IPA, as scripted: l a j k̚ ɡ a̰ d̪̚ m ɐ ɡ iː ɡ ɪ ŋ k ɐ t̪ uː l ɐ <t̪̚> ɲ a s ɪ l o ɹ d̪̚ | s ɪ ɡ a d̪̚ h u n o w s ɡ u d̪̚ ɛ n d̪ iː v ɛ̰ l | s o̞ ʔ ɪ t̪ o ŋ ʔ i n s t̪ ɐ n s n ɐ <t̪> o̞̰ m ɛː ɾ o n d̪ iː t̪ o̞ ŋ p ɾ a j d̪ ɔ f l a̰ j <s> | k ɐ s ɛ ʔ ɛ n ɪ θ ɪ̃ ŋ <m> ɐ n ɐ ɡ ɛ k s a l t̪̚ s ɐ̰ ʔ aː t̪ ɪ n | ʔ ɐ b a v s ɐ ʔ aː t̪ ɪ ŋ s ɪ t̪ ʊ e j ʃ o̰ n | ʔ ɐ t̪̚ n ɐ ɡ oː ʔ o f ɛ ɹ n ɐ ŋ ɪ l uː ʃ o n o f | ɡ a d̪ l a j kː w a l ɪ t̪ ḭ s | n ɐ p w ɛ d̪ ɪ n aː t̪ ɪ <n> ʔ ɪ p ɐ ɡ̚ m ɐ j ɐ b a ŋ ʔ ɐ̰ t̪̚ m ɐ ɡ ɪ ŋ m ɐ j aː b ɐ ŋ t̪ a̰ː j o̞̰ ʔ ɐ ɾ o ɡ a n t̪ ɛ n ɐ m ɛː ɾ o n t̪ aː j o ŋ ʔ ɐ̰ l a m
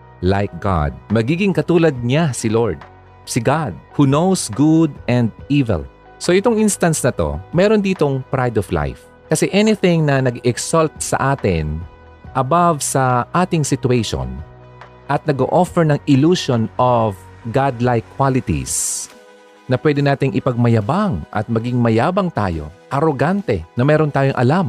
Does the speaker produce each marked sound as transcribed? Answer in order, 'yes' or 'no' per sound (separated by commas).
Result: no, yes, no, no, no